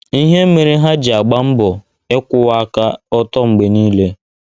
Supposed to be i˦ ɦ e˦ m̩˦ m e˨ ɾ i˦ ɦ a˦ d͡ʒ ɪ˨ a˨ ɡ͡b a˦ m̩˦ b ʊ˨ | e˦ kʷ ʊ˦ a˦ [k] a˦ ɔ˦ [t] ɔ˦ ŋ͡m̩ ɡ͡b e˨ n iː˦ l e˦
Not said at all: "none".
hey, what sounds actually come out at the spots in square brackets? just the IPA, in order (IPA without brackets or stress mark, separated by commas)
k, t